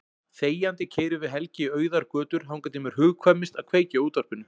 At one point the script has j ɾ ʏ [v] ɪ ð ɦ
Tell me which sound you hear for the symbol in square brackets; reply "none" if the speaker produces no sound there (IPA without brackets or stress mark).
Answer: v